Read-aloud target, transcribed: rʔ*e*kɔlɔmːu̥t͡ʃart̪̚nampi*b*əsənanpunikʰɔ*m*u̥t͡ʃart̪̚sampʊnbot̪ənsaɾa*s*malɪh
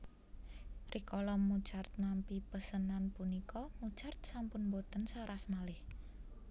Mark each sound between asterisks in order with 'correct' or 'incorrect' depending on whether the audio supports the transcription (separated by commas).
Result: incorrect, incorrect, correct, correct